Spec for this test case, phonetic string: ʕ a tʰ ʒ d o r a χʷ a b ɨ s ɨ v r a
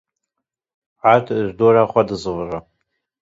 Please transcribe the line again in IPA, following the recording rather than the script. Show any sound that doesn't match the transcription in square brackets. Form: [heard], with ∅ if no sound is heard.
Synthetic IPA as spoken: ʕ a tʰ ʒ d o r a χʷ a [d] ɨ [z] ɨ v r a